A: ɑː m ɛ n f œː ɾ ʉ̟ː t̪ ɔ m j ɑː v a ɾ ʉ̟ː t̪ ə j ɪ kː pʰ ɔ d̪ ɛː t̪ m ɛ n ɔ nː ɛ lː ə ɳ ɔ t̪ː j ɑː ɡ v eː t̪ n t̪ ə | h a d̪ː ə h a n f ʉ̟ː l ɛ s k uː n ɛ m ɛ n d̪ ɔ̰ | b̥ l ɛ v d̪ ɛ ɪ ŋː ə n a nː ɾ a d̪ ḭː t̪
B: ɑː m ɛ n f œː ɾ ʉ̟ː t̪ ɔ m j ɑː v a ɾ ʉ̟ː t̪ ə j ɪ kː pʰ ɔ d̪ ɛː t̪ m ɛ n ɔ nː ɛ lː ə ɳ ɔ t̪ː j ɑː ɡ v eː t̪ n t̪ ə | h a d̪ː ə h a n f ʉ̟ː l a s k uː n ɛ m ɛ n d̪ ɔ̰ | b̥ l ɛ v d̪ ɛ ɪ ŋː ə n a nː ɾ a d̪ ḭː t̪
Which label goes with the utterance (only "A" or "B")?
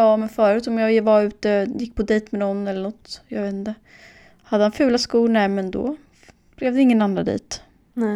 B